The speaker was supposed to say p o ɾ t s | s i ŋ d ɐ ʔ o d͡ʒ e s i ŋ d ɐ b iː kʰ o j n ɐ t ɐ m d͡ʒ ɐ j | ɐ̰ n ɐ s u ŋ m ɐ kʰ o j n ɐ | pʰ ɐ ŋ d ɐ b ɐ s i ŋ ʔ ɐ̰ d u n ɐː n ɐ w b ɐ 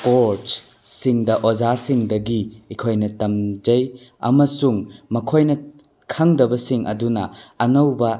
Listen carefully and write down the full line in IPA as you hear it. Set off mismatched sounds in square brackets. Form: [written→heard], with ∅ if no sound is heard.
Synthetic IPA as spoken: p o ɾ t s | s i ŋ d ɐ ʔ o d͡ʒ [e→a] s i ŋ d ɐ [b→ɡ] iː kʰ o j n ɐ t ɐ m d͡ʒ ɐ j | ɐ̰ [n→m] ɐ s u ŋ m ɐ kʰ o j n ɐ | [pʰ→kʰ] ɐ ŋ d ɐ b ɐ s i ŋ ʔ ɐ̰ d u n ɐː n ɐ w b ɐ